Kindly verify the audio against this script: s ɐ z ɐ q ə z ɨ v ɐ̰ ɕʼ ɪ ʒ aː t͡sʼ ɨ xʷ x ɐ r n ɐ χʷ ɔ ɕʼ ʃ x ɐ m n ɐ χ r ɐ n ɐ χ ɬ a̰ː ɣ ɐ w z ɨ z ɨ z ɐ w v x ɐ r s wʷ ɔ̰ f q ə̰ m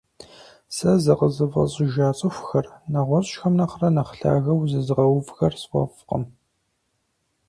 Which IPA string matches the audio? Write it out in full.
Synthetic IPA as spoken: s ɐ z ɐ q ə z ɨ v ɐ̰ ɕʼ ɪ ʒ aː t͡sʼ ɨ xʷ x ɐ r n ɐ ʁʷ ɔ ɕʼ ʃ x ɐ m n ɐ χ r ɐ n ɐ χ ɬ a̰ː ɣ ɐ w z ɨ z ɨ ʁ ɐ w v x ɐ r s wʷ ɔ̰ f q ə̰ m